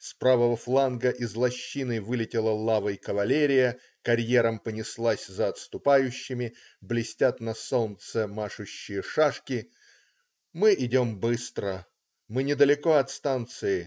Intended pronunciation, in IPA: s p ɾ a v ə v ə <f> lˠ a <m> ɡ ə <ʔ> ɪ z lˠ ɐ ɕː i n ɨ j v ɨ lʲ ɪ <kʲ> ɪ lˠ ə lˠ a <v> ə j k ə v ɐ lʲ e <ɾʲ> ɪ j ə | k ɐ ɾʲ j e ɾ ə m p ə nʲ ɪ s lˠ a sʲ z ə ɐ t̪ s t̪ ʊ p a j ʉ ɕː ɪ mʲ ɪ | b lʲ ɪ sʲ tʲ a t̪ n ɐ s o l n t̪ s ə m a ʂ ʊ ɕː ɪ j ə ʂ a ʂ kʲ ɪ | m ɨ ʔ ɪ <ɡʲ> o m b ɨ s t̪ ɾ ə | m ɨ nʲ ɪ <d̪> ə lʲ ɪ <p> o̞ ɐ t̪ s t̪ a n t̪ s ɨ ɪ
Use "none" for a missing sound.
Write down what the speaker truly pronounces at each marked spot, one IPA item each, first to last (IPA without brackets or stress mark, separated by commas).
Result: f, n, ʔ, tʲ, v, ɾʲ, dʲ, d̪, k